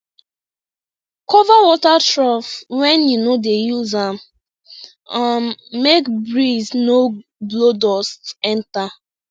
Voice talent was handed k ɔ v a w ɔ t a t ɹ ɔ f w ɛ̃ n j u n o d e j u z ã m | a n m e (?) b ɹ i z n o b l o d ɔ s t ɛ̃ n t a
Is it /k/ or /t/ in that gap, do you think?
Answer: k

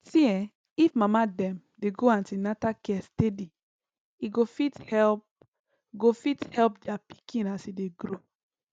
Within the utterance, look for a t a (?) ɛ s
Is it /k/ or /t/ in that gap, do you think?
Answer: k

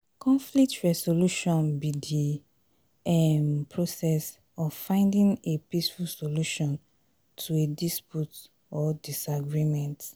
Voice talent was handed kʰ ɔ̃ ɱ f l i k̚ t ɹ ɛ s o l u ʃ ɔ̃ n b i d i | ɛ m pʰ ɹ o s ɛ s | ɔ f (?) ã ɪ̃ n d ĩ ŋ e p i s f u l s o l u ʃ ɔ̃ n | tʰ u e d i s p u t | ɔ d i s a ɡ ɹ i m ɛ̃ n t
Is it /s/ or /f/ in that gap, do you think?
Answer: f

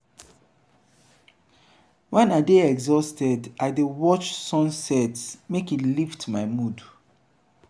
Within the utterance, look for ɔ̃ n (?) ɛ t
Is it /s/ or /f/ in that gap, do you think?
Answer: s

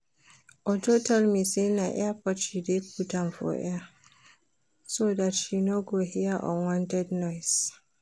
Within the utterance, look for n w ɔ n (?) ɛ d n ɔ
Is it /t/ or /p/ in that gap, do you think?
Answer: t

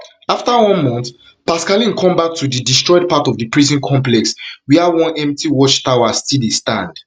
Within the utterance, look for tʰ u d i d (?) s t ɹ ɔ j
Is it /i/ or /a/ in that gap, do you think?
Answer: i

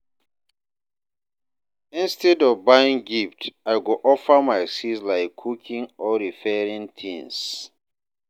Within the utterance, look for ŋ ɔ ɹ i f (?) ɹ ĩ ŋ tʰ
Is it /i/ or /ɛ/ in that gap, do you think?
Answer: ɛ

